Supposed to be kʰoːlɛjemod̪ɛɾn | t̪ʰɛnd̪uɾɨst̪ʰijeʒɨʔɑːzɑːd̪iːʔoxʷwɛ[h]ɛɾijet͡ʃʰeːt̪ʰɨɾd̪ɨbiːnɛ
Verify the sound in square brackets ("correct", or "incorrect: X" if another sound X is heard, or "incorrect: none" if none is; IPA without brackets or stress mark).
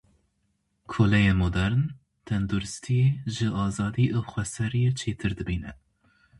incorrect: s